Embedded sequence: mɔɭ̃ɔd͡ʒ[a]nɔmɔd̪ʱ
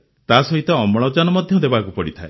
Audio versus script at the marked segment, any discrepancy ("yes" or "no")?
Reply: no